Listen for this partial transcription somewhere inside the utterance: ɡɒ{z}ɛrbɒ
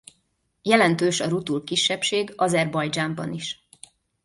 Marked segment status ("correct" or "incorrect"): correct